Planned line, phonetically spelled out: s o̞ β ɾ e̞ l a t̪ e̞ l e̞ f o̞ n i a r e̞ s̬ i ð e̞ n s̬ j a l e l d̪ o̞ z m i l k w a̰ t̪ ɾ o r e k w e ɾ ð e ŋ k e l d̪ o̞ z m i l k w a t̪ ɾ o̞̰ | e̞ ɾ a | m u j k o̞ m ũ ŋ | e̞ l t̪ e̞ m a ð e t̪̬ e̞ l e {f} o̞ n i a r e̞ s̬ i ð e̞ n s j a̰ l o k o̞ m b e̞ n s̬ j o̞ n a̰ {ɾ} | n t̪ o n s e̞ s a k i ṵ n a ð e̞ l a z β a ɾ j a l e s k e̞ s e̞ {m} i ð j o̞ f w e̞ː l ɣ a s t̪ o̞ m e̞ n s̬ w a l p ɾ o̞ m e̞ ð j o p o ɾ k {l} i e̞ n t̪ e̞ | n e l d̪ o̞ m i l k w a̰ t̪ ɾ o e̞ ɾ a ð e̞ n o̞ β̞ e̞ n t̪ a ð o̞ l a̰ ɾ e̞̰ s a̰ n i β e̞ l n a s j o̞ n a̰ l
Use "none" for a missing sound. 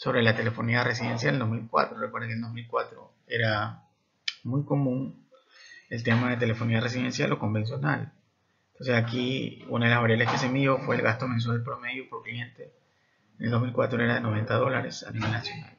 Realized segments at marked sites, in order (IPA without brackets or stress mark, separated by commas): f, l, m, l